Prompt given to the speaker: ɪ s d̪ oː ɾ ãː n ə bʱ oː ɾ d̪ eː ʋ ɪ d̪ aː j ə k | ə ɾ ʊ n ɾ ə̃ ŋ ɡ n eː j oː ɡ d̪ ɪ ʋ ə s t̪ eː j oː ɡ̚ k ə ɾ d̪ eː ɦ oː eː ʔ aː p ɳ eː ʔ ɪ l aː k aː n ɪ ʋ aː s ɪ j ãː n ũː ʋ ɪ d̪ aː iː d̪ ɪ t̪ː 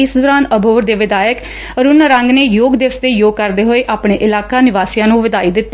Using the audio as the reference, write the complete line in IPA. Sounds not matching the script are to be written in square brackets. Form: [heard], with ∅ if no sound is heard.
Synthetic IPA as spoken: ɪ s d̪ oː ɾ [aː] n ə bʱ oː ɾ d̪ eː ʋ ɪ d̪ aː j ə k | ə ɾ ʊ n ɾ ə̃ ŋ ɡ n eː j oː ɡ d̪ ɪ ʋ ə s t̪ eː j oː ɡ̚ k ə ɾ d̪ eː ɦ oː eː ʔ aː p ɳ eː ʔ ɪ l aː k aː n ɪ ʋ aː s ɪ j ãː n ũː ʋ ɪ d̪ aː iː d̪ ɪ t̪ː